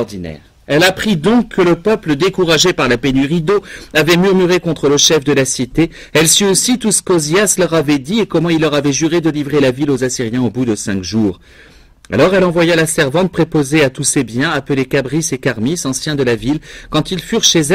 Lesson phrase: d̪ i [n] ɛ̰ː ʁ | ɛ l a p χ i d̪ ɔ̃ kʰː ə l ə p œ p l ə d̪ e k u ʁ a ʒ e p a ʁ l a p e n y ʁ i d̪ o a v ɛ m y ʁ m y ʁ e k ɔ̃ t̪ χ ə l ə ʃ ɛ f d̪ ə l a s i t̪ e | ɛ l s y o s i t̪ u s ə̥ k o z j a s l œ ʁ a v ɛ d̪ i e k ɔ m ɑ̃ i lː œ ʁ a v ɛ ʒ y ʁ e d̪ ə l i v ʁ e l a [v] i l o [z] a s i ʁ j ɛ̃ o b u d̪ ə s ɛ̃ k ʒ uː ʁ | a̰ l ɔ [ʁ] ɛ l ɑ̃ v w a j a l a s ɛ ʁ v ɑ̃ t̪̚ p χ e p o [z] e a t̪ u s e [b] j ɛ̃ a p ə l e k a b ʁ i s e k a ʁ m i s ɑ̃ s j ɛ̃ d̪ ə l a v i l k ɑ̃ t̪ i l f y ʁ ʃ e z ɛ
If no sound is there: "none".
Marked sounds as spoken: n, v, z, ʁ, z, b

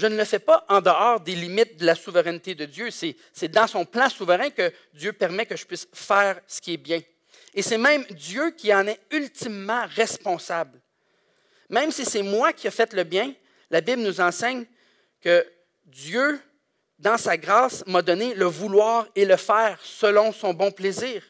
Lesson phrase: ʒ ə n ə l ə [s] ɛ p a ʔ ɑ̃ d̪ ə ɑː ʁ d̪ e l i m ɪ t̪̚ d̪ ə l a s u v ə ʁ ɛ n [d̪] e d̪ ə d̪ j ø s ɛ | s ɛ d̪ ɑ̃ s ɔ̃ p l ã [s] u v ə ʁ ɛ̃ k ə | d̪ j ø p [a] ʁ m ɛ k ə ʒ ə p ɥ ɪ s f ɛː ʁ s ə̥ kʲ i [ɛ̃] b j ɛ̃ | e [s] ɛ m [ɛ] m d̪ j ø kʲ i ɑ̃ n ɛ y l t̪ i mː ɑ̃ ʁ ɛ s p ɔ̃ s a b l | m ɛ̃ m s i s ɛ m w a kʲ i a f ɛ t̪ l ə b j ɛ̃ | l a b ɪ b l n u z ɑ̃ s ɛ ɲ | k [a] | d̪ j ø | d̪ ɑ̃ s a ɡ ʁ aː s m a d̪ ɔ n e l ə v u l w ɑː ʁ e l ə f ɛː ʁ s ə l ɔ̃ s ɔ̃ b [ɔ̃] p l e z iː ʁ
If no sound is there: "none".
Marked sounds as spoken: f, t̪, s, ɛ, ɛ, s, ɛ̃, ə, ɔ̃

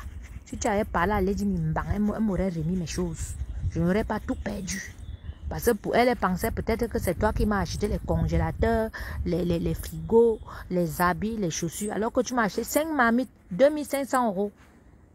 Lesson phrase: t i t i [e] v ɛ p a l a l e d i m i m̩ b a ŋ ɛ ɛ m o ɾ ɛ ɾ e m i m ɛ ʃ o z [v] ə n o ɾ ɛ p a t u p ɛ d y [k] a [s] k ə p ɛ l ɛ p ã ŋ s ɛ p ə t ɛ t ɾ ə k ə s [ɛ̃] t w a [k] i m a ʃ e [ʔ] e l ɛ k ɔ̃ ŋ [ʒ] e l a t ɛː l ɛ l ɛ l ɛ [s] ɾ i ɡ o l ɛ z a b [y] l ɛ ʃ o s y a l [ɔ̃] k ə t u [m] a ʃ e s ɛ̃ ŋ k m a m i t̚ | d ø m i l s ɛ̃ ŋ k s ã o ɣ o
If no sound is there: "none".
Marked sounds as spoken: a, ʒ, p, s, ɛ, k, t, ʒ, f, i, ɔ, m

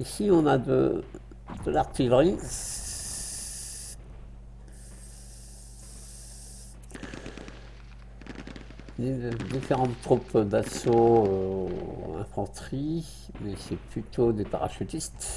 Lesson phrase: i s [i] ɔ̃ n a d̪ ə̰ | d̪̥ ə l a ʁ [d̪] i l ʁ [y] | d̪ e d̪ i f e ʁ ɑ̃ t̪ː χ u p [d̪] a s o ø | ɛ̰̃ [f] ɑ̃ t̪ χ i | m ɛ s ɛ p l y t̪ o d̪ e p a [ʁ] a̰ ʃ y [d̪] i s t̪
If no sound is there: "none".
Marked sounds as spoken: i, t̪, i, d̪, f, ʁ, t̪

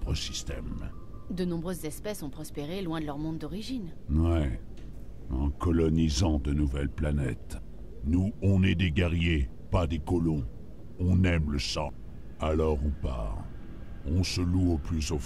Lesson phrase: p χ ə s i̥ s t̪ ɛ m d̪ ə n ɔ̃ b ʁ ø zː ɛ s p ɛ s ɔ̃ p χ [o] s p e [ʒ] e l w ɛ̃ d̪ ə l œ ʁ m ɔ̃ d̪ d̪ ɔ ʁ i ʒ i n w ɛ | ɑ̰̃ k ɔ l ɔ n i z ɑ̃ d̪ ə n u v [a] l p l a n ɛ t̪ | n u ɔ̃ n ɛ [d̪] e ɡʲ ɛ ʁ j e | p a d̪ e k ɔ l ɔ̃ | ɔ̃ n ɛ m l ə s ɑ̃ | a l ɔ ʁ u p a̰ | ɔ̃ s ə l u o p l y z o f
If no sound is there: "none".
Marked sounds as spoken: ɔ, ʁ, ɛ, d̪

